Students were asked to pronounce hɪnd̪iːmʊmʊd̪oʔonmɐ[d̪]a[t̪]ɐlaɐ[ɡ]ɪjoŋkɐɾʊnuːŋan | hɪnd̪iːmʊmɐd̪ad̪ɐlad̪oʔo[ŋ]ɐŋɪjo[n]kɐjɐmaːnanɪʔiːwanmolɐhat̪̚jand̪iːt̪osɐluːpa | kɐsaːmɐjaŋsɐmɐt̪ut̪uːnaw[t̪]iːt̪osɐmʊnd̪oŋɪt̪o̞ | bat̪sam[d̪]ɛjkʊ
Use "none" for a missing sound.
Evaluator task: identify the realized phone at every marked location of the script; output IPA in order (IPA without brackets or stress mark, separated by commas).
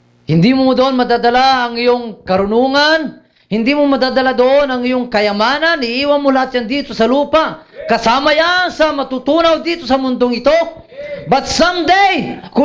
d̪, d̪, ŋ, n, ŋ, d̪, d̪